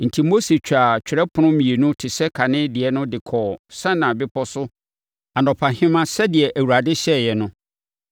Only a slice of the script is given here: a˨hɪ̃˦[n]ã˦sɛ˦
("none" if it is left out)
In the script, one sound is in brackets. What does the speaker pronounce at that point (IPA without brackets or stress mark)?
m